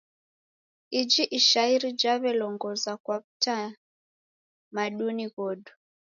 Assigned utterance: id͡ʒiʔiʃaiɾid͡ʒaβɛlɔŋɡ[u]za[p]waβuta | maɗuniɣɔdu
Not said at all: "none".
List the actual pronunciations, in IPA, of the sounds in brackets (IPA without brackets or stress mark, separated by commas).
ɔ, k